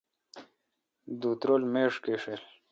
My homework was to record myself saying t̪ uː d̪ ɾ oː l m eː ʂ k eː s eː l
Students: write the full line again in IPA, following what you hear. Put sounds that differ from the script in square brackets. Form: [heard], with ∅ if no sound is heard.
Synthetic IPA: [d̪] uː [t̪] ɾ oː l m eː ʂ k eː [ʂ] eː l